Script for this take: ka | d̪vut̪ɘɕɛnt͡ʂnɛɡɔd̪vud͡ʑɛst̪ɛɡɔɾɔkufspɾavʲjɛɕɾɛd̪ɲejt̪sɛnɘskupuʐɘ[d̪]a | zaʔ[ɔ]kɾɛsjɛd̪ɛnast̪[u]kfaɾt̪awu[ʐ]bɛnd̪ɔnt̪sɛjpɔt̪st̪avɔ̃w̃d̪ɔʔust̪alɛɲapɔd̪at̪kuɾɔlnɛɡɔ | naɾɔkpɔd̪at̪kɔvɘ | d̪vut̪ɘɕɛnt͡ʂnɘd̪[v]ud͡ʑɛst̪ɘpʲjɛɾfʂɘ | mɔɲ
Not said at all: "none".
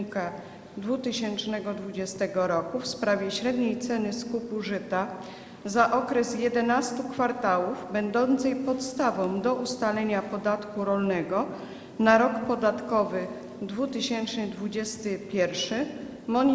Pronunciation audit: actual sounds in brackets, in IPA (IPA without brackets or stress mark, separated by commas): t̪, ɔ, u, v, v